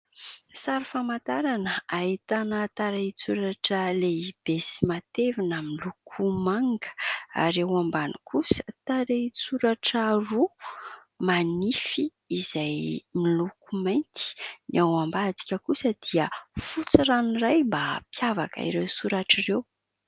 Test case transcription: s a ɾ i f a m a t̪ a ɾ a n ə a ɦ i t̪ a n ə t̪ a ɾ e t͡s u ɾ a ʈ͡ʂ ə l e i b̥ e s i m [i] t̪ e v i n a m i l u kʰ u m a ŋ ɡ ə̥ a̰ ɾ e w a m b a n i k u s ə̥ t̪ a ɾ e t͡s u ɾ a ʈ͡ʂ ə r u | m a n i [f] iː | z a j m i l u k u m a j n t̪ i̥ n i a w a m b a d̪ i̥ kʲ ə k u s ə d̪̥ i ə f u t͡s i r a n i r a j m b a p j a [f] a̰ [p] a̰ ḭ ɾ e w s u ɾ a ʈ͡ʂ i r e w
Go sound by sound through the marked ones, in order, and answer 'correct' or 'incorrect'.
incorrect: a, correct, incorrect: v, incorrect: k

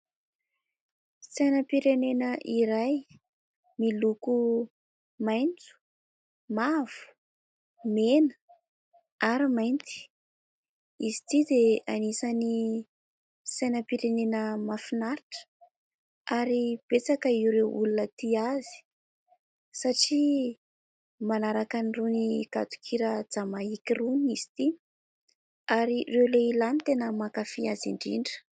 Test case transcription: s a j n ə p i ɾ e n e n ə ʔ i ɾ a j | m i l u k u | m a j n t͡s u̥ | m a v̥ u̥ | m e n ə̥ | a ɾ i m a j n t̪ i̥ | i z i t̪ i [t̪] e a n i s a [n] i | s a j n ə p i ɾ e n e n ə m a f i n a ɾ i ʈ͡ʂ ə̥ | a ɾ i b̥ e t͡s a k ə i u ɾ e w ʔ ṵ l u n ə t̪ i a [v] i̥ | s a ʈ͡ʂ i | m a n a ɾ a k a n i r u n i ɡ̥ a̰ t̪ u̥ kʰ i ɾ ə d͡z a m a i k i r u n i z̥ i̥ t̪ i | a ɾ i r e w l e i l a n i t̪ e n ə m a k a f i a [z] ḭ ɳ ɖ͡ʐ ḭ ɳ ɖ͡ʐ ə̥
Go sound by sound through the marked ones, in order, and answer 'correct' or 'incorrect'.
incorrect: d̪, correct, incorrect: z, correct

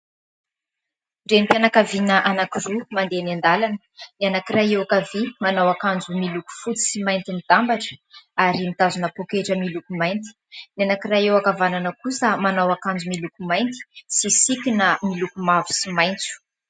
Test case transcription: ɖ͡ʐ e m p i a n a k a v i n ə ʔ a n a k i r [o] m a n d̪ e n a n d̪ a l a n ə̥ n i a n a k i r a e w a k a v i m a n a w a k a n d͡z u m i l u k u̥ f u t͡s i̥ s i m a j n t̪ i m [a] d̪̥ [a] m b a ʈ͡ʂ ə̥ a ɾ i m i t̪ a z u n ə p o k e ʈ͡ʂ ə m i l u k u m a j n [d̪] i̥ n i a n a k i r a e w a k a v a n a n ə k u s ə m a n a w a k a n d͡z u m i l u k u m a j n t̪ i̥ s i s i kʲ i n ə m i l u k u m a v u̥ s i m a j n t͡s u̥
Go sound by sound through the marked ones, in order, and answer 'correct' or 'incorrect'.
incorrect: u, incorrect: i, correct, incorrect: t̪

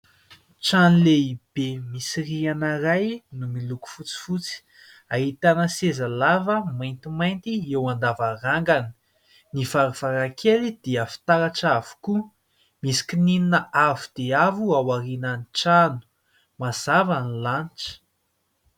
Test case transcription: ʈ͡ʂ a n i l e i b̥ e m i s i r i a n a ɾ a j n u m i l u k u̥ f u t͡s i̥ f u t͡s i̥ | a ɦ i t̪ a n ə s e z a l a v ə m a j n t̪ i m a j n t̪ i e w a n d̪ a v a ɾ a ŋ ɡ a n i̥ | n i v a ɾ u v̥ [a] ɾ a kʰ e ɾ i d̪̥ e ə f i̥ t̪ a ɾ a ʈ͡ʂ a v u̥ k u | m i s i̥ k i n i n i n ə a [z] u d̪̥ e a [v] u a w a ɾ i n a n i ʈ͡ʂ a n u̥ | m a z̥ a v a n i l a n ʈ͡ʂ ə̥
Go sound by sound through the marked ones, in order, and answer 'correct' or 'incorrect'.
correct, incorrect: v, correct

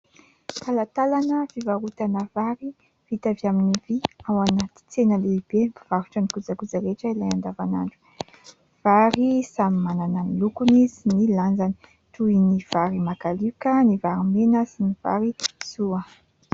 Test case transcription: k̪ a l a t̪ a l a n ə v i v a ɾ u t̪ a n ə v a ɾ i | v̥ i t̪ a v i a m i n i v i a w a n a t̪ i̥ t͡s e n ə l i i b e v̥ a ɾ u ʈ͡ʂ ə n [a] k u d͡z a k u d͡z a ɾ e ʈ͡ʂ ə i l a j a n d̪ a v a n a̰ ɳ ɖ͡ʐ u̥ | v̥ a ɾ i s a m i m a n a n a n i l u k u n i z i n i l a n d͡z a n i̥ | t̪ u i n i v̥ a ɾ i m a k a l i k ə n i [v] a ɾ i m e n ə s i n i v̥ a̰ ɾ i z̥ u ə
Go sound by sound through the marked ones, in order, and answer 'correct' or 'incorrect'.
incorrect: i, correct

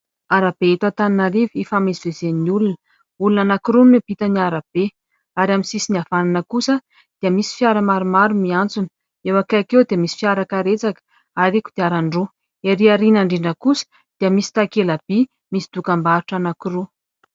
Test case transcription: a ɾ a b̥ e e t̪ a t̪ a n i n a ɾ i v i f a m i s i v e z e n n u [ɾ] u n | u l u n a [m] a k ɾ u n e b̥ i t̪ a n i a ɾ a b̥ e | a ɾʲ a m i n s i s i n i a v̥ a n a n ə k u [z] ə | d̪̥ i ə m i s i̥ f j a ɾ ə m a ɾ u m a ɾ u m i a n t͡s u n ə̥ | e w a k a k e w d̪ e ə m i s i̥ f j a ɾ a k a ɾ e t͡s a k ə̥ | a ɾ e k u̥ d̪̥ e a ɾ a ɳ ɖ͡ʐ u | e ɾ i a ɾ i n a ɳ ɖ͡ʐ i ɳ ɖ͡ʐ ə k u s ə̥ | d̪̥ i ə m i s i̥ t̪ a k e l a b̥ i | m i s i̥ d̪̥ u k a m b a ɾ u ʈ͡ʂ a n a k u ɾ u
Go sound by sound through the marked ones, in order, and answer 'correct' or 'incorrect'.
incorrect: l, incorrect: n, incorrect: s

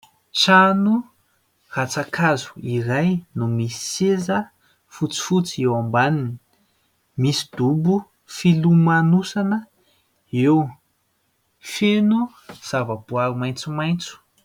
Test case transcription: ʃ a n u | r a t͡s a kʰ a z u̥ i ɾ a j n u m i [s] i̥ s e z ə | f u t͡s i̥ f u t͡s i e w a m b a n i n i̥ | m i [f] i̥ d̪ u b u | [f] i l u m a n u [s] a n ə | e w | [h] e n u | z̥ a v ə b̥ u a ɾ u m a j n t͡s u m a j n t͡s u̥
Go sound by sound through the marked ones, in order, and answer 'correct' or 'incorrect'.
correct, incorrect: s, correct, correct, incorrect: f

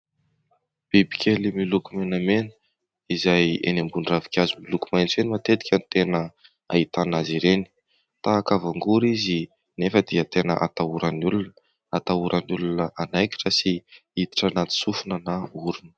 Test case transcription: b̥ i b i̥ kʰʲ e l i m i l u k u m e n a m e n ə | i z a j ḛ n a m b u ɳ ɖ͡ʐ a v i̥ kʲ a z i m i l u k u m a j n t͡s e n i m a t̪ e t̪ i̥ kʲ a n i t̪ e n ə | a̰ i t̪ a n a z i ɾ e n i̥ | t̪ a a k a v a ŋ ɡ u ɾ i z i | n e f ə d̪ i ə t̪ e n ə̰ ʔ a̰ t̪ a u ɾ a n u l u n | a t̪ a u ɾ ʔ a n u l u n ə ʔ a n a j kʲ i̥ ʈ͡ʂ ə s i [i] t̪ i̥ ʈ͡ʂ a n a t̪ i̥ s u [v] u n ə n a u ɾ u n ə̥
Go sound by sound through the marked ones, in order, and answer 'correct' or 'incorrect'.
correct, incorrect: f

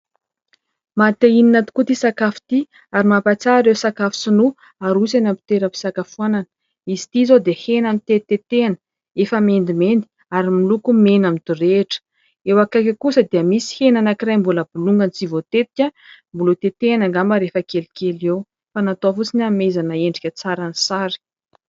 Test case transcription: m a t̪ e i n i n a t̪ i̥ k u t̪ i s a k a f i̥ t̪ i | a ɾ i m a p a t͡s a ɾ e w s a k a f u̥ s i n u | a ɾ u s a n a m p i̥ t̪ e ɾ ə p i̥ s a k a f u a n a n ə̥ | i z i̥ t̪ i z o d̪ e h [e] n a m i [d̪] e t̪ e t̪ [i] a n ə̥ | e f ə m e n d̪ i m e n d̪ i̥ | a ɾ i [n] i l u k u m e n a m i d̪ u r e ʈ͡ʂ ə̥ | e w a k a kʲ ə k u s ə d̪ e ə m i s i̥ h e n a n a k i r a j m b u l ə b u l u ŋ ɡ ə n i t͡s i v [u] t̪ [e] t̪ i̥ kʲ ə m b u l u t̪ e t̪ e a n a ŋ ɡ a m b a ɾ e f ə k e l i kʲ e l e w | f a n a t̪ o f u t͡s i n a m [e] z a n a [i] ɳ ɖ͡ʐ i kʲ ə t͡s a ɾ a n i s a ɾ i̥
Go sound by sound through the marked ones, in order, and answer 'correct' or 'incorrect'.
correct, incorrect: t̪, incorrect: e, incorrect: m, incorrect: o, correct, correct, incorrect: e

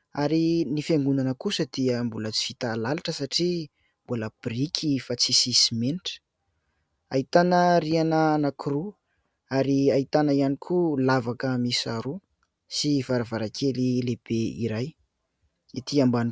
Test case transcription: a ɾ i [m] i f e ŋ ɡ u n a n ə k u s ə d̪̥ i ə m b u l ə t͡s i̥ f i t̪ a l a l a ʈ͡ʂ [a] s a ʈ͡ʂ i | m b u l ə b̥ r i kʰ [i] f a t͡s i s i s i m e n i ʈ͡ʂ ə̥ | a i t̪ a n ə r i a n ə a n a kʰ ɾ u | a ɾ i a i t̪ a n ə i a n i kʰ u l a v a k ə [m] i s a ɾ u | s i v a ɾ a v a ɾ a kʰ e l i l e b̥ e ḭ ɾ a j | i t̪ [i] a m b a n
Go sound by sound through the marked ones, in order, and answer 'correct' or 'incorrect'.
incorrect: n, incorrect: ə, correct, correct, correct

